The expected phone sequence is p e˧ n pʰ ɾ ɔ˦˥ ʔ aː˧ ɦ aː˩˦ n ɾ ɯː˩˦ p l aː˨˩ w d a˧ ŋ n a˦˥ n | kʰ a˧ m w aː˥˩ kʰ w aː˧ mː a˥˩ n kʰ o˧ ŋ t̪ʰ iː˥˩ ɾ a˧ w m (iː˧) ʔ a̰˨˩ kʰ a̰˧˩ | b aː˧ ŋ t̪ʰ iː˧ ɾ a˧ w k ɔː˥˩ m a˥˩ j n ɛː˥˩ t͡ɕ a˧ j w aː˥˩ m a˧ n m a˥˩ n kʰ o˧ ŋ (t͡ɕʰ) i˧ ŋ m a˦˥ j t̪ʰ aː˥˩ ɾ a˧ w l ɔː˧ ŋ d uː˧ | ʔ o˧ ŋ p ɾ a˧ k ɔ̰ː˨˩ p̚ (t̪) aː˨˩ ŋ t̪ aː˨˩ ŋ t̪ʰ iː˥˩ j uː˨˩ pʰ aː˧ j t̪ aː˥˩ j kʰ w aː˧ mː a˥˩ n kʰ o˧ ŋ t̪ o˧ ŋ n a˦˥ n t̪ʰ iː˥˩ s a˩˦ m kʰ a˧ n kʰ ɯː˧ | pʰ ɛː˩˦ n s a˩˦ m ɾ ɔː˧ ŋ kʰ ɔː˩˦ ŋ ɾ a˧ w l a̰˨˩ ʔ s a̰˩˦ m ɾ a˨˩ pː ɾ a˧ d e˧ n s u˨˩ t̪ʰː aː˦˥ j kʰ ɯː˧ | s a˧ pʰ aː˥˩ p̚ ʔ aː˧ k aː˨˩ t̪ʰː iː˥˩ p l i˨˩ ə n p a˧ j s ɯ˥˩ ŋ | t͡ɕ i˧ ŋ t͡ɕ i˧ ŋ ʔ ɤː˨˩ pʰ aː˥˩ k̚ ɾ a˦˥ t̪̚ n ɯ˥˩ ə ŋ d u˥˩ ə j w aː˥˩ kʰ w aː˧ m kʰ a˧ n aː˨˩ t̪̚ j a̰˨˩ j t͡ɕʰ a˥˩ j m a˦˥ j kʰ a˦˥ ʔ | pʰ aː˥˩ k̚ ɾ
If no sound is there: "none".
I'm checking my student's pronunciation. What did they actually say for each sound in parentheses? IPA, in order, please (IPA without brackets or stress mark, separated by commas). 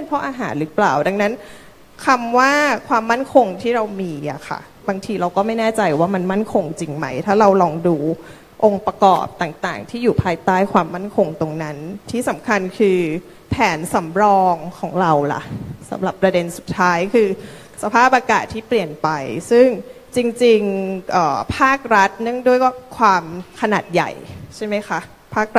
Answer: iː˧, t͡ɕ, t̪